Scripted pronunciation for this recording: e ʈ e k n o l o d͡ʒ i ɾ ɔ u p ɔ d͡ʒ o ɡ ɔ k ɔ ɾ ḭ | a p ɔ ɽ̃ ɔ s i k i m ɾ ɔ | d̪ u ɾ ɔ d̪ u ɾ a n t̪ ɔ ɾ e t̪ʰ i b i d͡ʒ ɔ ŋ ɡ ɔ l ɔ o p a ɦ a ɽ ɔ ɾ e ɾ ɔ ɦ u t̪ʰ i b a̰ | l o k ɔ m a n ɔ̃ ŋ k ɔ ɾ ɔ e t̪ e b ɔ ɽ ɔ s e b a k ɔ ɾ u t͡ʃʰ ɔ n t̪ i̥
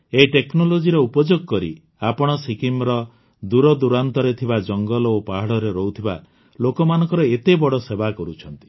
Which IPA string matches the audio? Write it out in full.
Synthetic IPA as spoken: e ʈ e k n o l o d͡ʒ i ɾ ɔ u p ɔ d͡ʒ o ɡ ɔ k ɔ ɾ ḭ | a p ɔ ɽ̃ ɔ s i k i m ɾ ɔ | d̪ u ɾ ɔ d̪ u ɾ a n t̪ ɔ ɾ e t̪ʰ i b a d͡ʒ ɔ ŋ ɡ ɔ l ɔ o p a ɦ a ɽ ɔ ɾ e ɾ ɔ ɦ u t̪ʰ i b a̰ | l o k ɔ m a n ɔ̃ ŋ k ɔ ɾ ɔ e t̪ e b ɔ ɽ ɔ s e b a k ɔ ɾ u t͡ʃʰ ɔ n t̪ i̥

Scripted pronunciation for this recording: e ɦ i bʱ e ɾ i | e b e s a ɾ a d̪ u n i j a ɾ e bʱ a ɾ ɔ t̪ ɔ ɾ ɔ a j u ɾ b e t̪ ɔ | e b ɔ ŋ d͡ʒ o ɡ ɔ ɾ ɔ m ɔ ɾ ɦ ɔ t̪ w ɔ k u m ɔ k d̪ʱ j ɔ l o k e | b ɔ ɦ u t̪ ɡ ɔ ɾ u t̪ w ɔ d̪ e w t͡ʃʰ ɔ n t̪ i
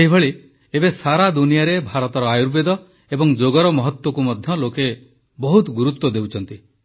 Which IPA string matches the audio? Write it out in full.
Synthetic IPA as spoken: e ɦ i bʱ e ɭ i | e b e s a ɾ a d̪ u n i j a ɾ e bʱ a ɾ ɔ t̪ ɔ ɾ ɔ a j u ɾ b e d̪ ɔ | e b ɔ ŋ d͡ʒ o ɡ ɔ ɾ ɔ m ɔ ɦ ɔ t̪ w ɔ k u m ɔ d̪ʱ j ɔ l o k e | b ɔ ɦ u t̪ ɡ u ɾ u t̪ w ɔ d̪ e w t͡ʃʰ ɔ n t̪ i

